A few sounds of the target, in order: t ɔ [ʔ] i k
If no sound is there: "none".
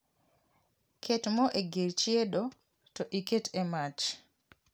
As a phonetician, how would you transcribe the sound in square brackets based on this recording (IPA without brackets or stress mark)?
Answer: ʔ